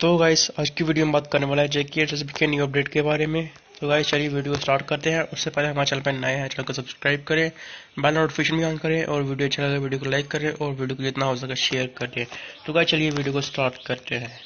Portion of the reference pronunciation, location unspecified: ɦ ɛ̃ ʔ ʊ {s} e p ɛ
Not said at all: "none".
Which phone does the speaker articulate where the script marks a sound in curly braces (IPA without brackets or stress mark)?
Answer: sː